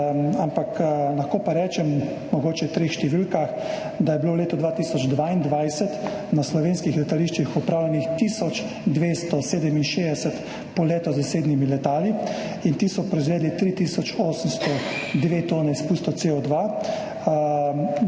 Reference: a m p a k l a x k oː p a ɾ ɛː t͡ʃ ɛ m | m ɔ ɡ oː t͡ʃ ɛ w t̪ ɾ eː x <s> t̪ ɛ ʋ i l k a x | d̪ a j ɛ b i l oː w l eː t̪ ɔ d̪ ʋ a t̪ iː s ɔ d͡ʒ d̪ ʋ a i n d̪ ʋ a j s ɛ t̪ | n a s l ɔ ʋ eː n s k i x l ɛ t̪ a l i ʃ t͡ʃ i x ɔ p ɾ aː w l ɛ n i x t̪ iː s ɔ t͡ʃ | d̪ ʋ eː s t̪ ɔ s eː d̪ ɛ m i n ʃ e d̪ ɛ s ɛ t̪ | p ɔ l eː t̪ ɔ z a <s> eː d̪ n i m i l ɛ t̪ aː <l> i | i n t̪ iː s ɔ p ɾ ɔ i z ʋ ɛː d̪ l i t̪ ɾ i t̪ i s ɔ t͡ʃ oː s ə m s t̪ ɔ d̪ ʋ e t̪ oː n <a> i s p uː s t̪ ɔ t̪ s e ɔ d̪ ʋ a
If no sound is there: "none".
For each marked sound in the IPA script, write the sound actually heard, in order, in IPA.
ʃ, s, l, ɛ

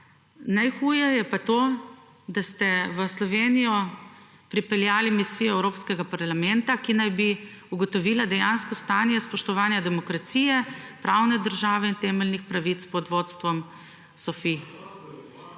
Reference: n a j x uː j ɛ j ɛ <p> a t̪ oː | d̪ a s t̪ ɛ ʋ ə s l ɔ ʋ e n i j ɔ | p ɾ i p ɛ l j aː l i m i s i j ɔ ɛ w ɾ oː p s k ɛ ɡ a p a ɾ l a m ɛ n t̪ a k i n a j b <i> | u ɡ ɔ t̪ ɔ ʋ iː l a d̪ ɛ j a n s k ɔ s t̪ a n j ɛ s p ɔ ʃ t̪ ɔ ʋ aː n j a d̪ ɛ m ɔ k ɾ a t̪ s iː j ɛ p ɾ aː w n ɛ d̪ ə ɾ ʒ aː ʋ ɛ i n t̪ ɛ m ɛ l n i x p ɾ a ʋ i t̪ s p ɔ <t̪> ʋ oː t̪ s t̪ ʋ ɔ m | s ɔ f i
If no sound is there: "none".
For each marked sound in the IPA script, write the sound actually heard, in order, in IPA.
p, i, d̪

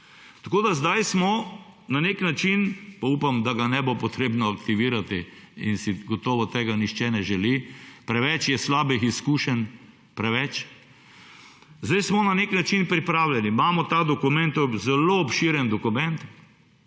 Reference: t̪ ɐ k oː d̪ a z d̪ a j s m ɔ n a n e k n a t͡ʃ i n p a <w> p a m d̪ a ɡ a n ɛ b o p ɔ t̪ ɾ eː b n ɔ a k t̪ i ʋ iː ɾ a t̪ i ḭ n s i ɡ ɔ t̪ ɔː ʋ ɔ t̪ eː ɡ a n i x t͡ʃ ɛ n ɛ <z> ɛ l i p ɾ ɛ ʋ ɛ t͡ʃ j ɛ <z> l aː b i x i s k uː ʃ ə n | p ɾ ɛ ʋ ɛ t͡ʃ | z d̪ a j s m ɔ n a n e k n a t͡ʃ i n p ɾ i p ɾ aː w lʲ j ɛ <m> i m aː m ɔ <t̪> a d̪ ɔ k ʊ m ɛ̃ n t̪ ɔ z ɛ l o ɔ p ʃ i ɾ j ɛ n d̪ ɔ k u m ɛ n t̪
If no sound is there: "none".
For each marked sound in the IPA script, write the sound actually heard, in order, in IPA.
u, ʒ, s, n, t̪

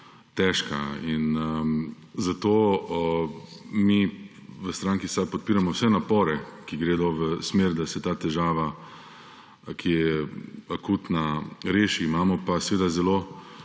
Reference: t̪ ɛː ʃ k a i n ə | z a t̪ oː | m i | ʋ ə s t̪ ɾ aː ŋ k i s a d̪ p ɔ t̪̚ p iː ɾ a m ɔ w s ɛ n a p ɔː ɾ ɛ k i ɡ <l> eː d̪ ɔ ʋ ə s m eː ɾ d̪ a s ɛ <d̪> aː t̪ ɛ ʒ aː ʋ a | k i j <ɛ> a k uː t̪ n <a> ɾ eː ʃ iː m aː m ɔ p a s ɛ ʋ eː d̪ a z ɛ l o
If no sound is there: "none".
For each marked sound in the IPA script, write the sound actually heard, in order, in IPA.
ɾ, t̪, ɛ, a

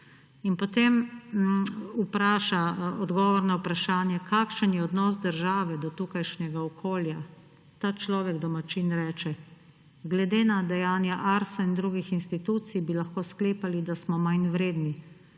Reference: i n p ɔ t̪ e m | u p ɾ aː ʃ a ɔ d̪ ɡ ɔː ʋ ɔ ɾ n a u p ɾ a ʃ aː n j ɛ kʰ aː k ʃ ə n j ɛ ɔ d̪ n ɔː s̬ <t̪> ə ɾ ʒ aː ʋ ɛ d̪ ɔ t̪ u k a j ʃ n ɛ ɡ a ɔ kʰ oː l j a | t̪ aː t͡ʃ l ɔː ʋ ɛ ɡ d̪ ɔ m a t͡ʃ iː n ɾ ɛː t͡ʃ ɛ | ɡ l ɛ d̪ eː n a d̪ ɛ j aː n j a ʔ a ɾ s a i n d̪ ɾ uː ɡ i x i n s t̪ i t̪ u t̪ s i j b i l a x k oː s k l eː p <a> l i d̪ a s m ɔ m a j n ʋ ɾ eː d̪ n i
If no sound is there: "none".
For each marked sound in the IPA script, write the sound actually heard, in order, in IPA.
d̪, a

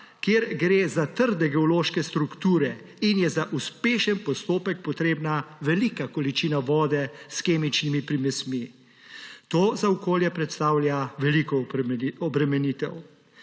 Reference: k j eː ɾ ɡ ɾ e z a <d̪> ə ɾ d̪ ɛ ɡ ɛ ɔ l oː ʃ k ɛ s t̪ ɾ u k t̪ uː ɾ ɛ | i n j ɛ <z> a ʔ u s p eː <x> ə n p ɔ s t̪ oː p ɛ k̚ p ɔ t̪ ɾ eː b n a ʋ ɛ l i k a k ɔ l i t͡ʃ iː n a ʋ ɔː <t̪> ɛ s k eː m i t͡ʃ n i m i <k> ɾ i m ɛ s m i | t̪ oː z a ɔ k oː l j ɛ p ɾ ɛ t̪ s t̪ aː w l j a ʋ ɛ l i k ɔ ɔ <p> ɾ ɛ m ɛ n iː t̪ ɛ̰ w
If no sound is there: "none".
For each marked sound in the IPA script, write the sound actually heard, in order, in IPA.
t̪, z, ʃ, d̪, p, b

